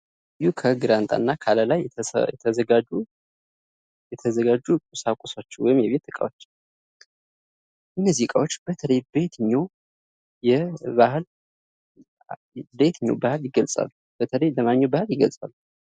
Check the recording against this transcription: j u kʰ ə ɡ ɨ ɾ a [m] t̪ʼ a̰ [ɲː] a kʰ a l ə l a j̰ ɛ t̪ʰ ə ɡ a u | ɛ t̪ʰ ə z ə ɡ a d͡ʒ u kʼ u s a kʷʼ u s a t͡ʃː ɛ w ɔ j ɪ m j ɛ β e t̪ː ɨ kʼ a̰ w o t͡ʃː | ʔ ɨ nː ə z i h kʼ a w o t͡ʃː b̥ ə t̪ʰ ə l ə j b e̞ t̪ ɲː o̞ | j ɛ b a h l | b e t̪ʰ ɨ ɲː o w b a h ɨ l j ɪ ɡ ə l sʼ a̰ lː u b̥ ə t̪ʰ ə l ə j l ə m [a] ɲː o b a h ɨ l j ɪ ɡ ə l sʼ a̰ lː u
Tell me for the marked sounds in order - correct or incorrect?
incorrect: n, incorrect: nː, correct

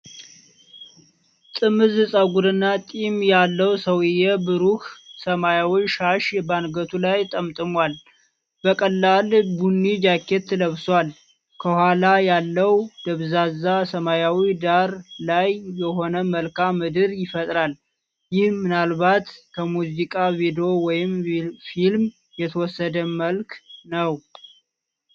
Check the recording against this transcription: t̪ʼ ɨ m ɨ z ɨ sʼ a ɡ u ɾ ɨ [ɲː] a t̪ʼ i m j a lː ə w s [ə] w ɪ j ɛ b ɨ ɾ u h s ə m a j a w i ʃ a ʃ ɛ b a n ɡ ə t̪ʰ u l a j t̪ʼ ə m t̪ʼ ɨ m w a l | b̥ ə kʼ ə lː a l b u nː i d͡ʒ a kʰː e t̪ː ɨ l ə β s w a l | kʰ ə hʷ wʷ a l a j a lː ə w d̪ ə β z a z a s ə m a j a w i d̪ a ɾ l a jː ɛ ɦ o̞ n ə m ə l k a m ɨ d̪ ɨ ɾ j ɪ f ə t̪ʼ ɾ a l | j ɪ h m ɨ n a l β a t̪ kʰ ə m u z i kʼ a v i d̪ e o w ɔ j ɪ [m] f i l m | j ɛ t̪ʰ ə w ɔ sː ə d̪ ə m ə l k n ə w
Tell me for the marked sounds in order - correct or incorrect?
incorrect: nː, correct, correct

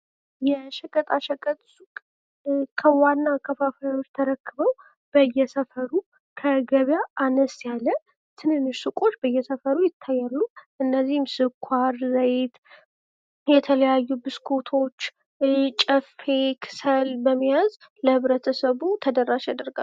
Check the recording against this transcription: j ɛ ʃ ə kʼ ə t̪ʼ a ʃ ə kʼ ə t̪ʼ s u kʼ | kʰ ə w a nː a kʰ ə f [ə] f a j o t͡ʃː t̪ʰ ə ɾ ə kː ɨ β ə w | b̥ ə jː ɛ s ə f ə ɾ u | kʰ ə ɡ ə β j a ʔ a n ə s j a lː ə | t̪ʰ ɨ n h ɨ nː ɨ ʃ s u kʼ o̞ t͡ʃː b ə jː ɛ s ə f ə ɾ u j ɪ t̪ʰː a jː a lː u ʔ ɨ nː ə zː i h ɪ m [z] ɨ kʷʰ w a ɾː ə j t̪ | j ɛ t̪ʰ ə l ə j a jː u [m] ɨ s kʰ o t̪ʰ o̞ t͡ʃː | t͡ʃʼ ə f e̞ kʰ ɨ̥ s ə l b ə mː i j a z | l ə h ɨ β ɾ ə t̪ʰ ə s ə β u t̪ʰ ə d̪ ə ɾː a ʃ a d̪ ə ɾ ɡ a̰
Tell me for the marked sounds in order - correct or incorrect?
incorrect: a, incorrect: s, incorrect: b

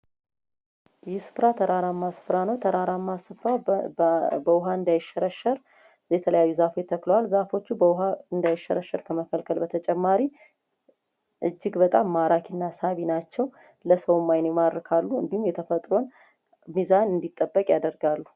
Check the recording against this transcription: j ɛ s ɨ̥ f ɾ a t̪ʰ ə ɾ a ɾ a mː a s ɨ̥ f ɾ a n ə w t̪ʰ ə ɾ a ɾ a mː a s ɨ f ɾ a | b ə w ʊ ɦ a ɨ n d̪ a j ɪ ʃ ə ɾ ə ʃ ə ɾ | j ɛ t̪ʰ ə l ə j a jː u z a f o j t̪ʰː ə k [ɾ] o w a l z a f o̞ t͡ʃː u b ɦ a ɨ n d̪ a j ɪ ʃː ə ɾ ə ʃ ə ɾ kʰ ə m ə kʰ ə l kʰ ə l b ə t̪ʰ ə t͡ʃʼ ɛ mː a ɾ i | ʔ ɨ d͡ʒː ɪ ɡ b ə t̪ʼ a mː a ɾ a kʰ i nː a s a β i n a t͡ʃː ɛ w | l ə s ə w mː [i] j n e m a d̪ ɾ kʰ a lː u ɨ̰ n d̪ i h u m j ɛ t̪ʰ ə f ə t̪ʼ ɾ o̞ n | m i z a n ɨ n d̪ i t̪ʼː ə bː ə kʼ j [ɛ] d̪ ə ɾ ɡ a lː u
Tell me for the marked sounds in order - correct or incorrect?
incorrect: l, incorrect: a, incorrect: a

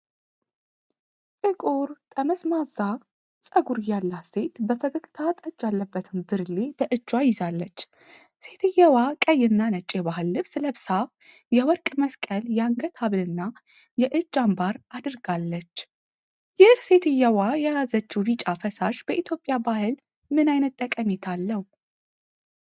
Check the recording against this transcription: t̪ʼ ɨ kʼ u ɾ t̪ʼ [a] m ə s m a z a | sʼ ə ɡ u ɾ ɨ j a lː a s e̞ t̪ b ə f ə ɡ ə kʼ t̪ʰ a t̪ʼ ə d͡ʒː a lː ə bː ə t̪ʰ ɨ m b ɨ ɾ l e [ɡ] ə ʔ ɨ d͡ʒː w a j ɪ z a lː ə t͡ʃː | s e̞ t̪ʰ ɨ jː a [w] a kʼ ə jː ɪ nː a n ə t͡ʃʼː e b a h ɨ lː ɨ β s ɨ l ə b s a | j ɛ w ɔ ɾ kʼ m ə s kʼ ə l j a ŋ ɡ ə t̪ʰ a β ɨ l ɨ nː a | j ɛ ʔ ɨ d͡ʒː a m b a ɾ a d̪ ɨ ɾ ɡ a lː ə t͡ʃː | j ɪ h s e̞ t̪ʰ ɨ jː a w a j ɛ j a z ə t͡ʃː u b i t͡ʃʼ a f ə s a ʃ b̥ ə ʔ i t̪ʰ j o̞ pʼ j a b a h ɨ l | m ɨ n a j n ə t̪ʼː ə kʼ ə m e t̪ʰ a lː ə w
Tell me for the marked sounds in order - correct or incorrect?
incorrect: ə, incorrect: b, correct

